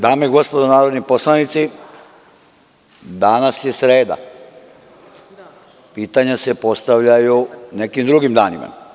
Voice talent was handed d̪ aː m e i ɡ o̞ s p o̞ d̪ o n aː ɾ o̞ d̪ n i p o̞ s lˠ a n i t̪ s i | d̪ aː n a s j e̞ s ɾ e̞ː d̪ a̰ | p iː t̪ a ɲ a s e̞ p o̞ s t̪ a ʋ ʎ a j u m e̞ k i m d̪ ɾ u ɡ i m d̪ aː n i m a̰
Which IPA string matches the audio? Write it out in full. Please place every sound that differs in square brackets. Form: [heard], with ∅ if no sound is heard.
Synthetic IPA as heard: d̪ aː m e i ɡ o̞ s p o̞ d̪ o n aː ɾ o̞ d̪ n i p o̞ s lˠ a n i t̪ s i | d̪ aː n a s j e̞ s ɾ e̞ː d̪ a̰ | p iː t̪ a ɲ a s e̞ p o̞ s t̪ a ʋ ʎ a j u [n] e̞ k i m d̪ ɾ u ɡ i m d̪ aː n i m a̰